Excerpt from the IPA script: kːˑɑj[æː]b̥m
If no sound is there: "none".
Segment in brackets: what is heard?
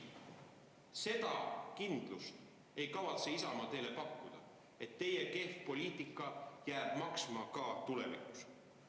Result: æː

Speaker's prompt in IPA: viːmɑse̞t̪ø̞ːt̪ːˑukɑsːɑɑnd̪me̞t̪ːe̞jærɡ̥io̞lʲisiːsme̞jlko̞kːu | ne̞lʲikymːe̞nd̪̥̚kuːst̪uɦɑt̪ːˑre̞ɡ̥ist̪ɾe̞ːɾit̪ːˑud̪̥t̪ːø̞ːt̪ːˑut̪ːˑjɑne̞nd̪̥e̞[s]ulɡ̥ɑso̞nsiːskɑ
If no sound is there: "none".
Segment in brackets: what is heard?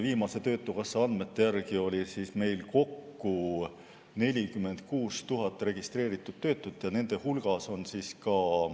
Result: h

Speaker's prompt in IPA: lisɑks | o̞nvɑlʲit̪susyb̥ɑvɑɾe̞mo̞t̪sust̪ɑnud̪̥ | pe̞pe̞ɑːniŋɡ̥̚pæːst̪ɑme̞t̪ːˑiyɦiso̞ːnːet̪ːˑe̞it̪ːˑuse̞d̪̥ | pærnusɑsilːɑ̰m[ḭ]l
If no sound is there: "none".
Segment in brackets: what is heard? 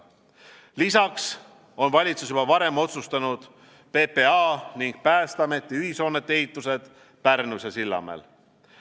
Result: ḛ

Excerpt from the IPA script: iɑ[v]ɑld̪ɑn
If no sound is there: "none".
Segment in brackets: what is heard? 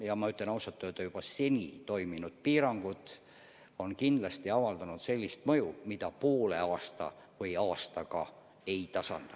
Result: v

